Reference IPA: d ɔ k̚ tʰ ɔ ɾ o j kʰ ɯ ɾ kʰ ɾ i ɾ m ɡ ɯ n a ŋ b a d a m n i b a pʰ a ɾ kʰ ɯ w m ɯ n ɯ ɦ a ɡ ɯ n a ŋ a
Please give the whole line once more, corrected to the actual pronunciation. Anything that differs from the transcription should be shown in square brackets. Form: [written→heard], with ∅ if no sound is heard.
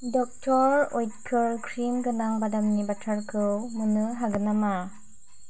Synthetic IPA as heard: d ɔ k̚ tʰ ɔ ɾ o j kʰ ɯ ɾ kʰ ɾ i [ɾ→∅] m ɡ ɯ n a ŋ b a d a m n i b a [pʰ→tʰ] a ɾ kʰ ɯ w m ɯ n ɯ ɦ a ɡ ɯ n a [ŋ→m] a